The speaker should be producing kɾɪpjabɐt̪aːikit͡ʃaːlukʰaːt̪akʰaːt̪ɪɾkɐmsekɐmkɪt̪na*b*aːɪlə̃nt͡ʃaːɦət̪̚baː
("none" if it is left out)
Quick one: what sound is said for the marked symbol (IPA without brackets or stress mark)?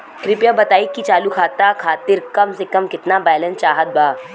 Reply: b